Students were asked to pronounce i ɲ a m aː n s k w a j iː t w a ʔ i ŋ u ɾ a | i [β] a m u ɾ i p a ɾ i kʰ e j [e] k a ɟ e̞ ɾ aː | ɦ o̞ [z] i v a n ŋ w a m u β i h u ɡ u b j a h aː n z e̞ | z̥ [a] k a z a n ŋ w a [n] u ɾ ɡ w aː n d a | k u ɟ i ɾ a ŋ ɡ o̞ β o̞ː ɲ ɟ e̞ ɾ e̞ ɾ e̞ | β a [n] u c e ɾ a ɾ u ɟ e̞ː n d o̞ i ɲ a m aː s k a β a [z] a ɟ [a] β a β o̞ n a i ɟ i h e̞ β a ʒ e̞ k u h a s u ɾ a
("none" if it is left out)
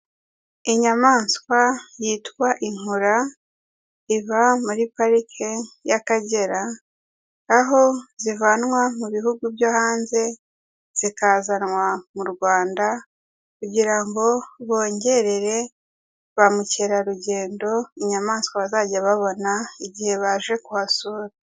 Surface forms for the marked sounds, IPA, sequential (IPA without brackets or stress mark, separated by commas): β, a, z, i, m, m, z, a